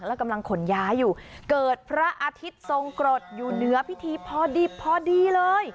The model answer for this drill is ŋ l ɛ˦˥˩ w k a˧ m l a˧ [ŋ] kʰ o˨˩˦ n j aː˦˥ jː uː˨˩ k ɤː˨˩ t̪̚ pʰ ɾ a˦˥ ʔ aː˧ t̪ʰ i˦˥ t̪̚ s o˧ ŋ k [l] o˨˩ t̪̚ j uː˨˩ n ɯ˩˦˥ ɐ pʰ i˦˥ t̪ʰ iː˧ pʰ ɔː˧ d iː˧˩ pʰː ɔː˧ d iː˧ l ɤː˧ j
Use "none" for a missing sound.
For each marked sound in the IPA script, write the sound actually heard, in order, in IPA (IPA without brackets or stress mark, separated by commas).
ŋ, ɾ